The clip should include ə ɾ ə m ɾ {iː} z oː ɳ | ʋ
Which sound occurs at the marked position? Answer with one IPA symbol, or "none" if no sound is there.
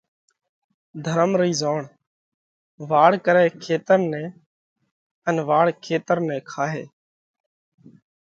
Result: iː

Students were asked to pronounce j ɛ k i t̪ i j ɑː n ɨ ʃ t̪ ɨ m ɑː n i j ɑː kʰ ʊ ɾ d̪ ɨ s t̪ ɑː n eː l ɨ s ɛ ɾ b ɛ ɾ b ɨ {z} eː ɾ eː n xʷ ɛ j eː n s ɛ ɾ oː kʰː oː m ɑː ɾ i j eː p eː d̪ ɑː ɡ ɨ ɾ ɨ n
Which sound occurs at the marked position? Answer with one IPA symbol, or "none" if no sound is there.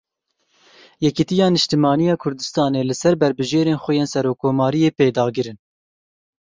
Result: ʒ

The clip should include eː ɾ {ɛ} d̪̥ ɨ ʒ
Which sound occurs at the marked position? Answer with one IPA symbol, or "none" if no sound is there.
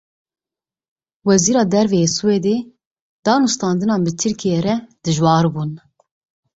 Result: ɛ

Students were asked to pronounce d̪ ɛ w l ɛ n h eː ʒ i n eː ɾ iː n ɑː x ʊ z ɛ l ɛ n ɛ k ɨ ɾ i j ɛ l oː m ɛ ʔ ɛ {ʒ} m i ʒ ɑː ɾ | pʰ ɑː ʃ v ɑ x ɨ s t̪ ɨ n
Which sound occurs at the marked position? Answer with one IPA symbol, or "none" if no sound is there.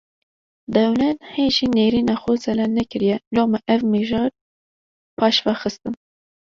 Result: v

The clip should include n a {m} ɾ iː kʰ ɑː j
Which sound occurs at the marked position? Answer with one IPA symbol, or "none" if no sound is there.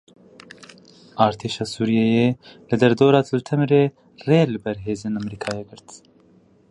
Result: m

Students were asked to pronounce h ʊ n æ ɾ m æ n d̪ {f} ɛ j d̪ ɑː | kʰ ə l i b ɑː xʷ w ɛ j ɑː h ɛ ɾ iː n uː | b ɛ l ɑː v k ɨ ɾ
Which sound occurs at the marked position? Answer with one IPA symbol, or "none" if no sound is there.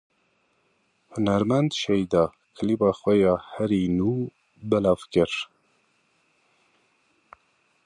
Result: ʃ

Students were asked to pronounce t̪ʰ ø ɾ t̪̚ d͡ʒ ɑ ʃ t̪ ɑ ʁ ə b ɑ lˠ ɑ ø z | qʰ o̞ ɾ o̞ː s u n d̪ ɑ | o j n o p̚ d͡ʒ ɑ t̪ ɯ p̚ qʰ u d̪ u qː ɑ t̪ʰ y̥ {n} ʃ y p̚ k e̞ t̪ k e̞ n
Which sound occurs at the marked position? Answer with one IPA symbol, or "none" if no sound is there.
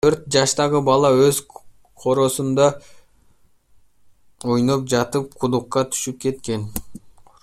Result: none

